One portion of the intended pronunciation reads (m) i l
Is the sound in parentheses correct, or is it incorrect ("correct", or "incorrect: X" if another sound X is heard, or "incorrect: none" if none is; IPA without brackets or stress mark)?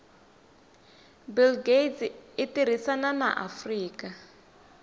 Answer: incorrect: b